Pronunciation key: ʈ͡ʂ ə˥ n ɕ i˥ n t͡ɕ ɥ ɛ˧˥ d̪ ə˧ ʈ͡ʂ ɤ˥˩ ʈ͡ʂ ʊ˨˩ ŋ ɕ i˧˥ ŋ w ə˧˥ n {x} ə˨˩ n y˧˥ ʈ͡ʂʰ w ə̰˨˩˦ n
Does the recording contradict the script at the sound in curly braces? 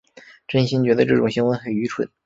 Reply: no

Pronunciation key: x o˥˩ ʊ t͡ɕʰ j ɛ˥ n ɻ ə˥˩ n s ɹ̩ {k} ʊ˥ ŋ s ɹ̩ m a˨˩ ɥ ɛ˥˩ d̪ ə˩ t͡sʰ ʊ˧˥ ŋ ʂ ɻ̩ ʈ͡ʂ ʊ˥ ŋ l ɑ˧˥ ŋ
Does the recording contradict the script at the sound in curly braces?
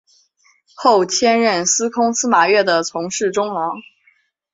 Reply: yes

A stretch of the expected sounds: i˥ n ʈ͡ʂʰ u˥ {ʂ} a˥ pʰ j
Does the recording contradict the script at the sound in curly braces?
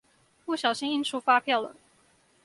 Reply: yes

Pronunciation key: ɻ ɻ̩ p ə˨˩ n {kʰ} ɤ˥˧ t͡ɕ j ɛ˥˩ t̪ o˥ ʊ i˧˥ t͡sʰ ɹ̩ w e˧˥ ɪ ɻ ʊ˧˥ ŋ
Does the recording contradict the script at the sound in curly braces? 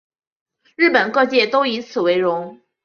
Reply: yes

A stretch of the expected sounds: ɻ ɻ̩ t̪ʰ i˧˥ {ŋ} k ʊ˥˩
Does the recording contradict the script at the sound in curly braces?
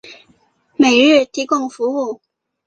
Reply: yes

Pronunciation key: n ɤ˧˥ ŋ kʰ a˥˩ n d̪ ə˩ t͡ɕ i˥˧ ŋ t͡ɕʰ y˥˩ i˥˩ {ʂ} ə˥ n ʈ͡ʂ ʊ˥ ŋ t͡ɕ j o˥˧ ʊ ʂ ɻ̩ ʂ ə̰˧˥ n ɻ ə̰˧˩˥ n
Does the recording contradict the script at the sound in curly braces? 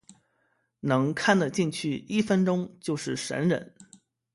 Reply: yes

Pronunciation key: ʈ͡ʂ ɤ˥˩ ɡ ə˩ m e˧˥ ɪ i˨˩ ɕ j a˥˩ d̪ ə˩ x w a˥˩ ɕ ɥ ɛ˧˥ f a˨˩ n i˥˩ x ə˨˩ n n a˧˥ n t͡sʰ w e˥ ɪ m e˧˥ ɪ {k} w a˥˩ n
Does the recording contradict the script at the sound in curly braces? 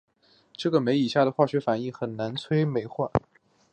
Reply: yes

